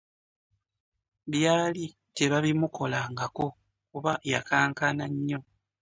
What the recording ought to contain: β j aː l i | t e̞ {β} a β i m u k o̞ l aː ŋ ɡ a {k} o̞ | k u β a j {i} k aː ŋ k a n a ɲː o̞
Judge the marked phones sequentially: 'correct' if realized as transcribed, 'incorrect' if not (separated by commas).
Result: correct, correct, incorrect